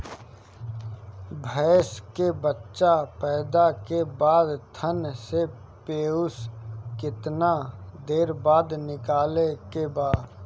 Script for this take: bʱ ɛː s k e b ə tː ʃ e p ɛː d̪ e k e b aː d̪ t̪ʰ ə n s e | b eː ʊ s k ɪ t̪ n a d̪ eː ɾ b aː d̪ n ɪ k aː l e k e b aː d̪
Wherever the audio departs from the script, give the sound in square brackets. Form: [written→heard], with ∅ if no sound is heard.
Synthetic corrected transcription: bʱ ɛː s k e b ə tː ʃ [e→a] p ɛː d̪ [e→a] k e b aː d̪ t̪ʰ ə n s e | [b→p] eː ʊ s k ɪ t̪ n a d̪ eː ɾ b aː d̪ n ɪ k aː l e k e b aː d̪